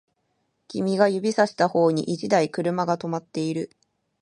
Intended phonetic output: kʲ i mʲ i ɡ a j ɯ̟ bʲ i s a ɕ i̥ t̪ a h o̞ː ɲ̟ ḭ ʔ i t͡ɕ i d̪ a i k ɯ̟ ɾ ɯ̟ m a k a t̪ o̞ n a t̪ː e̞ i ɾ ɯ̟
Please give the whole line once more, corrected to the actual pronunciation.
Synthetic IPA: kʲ i mʲ i ɡ a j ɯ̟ bʲ i s a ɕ i̥ t̪ a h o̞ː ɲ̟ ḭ ʔ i t͡ɕ i d̪ a i k ɯ̟ ɾ ɯ̟ m a ɡ a t̪ o̞ m a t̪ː e̞ i ɾ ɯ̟